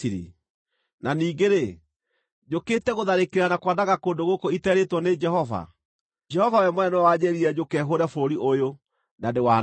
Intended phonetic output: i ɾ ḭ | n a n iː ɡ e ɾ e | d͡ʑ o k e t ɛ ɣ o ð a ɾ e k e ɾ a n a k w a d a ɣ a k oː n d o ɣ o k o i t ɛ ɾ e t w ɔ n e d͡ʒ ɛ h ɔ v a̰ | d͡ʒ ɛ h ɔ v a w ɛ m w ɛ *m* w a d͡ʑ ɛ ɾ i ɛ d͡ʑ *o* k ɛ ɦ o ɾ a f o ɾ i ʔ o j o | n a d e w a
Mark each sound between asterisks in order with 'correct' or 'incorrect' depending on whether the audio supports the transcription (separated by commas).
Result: incorrect, correct